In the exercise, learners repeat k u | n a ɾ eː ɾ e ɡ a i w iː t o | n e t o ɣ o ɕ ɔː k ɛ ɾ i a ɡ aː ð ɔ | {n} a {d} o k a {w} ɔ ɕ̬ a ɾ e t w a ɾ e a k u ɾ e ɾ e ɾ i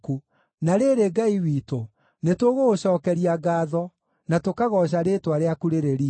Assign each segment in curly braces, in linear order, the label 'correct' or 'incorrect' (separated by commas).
correct, incorrect, incorrect